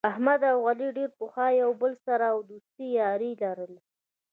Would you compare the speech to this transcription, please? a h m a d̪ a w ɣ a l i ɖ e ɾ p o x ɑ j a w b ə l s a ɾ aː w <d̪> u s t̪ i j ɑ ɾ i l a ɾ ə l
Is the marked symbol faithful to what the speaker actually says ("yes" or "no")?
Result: yes